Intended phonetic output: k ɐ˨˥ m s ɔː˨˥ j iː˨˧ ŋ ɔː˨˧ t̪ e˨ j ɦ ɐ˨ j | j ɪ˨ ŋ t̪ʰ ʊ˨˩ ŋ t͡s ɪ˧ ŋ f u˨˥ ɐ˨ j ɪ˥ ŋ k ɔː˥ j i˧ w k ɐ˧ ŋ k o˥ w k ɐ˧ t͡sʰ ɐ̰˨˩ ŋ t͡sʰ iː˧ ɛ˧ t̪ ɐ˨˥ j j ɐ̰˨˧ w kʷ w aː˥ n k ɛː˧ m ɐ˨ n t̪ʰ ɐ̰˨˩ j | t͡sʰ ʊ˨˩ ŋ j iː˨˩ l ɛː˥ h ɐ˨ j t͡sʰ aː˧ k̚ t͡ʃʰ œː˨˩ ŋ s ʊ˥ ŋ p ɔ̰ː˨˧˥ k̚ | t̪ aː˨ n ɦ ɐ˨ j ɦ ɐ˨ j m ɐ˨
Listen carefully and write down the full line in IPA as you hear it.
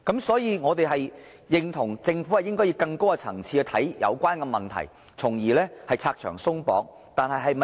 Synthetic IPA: k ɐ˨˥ m s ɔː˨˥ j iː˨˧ ŋ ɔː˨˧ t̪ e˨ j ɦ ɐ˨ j | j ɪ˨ ŋ t̪ʰ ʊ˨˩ ŋ t͡s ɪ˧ ŋ f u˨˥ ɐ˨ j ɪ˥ ŋ k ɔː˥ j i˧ w k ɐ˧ ŋ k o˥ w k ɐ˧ t͡sʰ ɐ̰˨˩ ŋ t͡sʰ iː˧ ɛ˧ t̪ʰ ɐ˨˥ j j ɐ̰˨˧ w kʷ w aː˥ n k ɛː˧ m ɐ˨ n t̪ʰ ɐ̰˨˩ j | t͡sʰ ʊ˨˩ ŋ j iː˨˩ l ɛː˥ h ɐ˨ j t͡sʰ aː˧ k̚ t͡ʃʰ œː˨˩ ŋ s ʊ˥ ŋ p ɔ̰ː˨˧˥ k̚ | t̪ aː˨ n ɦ ɐ˨ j ɦ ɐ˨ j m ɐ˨